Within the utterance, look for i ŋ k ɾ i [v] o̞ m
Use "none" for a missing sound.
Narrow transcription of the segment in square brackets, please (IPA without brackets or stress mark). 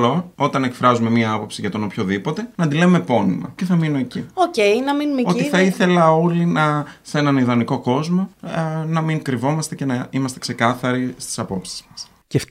v